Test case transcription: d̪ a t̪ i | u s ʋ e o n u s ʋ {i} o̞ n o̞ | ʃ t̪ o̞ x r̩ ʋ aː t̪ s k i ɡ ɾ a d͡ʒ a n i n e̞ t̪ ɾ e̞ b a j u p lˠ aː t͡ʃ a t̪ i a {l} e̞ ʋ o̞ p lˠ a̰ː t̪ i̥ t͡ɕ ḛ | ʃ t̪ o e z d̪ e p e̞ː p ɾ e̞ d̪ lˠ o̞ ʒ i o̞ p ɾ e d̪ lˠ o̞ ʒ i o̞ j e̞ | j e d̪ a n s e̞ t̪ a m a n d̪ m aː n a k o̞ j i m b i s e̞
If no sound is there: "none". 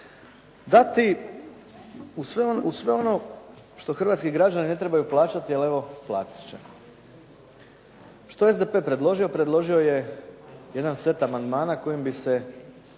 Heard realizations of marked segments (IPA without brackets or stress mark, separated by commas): e, l